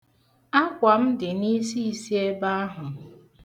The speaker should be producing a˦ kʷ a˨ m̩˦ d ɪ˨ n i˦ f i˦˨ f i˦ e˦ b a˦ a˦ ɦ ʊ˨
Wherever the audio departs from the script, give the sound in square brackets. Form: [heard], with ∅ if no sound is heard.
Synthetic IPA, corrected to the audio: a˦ kʷ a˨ m̩˦ d ɪ˨ n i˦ [s] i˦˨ [s] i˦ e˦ b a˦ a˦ ɦ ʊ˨